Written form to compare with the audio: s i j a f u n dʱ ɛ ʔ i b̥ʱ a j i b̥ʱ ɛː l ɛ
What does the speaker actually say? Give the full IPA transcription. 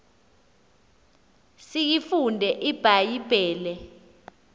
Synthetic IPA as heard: s i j i f u n dʱ ɛ ʔ i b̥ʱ a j i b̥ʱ ɛː l ɛ